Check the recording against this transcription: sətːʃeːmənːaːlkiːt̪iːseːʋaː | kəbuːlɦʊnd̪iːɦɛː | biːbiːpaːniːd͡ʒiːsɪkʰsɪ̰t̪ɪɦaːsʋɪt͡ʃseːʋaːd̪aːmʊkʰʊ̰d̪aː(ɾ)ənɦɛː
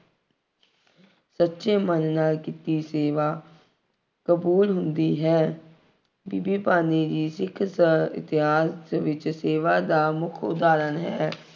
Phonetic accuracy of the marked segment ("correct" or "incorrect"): correct